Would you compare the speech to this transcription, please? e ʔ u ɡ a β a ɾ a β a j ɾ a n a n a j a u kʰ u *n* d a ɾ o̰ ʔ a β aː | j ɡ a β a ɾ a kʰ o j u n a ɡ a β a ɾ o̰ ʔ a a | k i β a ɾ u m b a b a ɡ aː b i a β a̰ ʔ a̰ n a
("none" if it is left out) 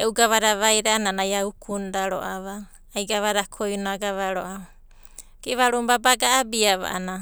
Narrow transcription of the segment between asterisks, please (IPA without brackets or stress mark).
n